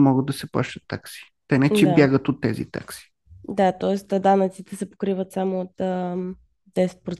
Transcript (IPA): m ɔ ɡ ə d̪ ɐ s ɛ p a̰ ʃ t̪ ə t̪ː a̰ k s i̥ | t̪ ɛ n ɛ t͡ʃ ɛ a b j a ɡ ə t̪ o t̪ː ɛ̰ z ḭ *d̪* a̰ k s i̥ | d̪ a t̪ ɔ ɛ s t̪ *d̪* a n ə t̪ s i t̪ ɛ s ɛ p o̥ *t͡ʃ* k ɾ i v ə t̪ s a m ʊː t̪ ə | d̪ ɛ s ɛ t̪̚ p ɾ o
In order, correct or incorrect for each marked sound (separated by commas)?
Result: incorrect, correct, incorrect